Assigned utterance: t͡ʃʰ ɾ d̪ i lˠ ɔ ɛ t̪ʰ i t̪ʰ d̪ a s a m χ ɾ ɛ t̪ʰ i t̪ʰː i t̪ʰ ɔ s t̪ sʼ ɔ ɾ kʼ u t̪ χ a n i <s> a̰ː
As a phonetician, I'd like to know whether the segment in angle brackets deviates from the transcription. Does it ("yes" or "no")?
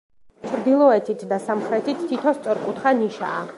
yes